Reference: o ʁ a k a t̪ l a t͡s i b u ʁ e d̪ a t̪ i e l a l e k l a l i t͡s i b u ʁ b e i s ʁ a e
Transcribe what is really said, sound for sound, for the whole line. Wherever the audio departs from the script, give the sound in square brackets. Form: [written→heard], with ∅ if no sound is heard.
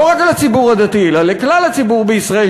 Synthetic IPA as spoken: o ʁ a k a [t̪→∅] l a t͡s i b u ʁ [e→a] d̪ a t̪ i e l a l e k l a l [i→a] t͡s i b u ʁ b e i s ʁ a e